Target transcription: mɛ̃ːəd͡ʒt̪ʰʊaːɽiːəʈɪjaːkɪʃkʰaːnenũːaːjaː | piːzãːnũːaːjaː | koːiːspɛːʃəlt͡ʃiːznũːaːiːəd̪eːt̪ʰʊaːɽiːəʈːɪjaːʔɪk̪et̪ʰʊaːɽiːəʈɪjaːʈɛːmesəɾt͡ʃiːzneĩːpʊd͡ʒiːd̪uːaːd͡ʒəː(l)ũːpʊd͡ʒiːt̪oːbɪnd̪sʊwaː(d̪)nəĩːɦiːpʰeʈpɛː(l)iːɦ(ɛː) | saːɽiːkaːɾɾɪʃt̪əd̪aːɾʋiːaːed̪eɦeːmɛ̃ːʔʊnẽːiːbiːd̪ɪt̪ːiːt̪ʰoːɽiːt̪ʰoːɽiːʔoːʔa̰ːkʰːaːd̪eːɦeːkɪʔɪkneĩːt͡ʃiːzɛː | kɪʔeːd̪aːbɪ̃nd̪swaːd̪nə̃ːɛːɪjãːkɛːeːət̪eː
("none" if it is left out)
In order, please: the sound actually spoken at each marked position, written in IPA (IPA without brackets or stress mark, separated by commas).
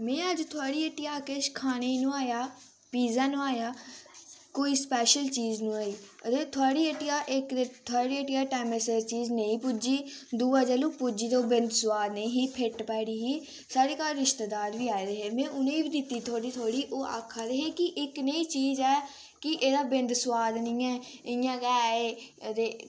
l, d̪, ɽ, iː